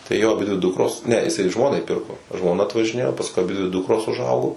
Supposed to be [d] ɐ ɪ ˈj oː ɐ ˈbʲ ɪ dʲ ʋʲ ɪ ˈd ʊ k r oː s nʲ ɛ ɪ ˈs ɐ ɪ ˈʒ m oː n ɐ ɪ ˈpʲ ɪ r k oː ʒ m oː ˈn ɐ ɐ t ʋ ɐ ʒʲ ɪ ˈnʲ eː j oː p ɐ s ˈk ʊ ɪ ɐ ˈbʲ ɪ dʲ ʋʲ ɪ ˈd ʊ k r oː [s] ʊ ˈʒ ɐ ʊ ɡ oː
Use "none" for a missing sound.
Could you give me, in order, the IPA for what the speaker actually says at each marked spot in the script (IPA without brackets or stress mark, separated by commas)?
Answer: t, s